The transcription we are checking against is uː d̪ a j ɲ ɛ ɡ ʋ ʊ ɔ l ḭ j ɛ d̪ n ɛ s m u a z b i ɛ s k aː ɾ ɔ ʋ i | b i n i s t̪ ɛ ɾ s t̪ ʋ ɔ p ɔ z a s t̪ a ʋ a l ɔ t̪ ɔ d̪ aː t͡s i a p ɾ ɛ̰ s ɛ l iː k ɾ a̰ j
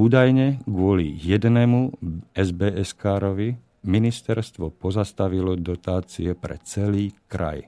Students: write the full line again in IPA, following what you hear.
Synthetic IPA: uː d̪ a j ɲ ɛ ɡ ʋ ʊ ɔ l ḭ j ɛ d̪ n ɛ m u ɛ z b ɛ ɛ s k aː ɾ ɔ ʋ i | m i n i s t̪ ɛ ɾ s t̪ ʋ ɔ p ɔ z a s t̪ a ʋ i l ɔ d̪ ɔ t̪ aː t͡s i ɛ p ɾ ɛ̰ t͡s ɛ l iː k ɾ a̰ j